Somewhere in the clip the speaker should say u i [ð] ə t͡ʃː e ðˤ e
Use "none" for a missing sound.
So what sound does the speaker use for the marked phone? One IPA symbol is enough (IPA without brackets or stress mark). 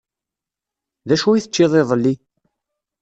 θ